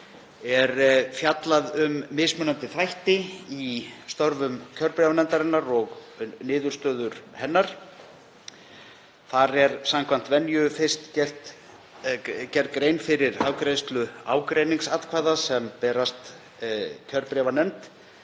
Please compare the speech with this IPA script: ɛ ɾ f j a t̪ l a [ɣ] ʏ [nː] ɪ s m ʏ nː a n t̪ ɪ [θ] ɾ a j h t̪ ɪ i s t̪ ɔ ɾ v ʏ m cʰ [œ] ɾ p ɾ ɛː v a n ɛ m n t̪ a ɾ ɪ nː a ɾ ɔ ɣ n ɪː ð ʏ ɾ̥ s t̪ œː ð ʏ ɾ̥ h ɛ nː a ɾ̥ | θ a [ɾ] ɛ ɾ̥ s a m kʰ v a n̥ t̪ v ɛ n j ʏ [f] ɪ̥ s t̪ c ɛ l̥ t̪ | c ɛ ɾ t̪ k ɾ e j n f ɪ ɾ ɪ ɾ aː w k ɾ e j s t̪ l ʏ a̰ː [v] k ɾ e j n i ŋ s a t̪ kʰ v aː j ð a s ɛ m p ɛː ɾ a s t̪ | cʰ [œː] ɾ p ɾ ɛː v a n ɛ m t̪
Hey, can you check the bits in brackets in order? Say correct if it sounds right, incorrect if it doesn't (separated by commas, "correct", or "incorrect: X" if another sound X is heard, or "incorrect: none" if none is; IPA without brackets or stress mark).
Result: incorrect: ð, incorrect: mː, correct, correct, correct, correct, incorrect: w, incorrect: œ